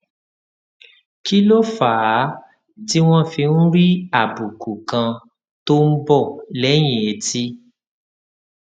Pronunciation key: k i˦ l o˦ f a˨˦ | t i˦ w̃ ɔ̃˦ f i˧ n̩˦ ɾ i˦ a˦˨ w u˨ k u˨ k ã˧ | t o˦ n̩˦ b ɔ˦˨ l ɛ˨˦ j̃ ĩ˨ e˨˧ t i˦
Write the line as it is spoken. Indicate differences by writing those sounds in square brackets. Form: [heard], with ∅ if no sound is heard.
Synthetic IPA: k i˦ l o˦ f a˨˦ | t i˦ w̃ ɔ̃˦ f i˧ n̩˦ ɾ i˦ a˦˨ [b] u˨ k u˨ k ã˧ | t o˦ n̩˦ b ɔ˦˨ l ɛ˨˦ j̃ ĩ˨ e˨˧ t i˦